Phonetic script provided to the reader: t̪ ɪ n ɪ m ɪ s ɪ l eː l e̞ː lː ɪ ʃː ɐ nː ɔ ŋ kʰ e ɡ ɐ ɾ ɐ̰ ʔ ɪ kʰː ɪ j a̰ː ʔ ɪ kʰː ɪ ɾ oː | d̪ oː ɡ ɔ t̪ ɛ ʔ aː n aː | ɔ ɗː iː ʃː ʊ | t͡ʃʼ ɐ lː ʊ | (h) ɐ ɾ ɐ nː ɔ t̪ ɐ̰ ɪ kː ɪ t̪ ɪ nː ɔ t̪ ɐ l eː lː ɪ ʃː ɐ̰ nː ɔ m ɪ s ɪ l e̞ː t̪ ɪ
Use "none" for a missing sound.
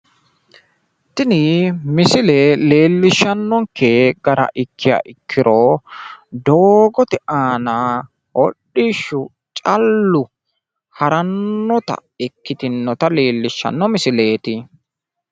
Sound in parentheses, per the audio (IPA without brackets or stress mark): h